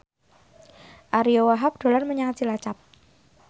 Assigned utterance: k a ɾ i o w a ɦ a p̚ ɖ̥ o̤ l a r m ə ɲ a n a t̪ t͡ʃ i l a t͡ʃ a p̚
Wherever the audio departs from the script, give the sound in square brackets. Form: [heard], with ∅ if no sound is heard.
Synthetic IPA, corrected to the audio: [ʔ] a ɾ i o w a ɦ a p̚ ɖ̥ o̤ l a r m ə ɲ a [ŋ] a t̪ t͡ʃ i l a t͡ʃ a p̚